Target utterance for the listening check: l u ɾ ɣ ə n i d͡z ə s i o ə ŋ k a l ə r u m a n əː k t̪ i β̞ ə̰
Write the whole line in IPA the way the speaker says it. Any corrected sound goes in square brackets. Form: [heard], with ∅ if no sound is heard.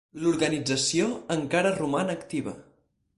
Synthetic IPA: l u ɾ ɣ ə n i d͡z ə s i o ə ŋ k a [ɾ] ə r u m a n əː k t̪ i β̞ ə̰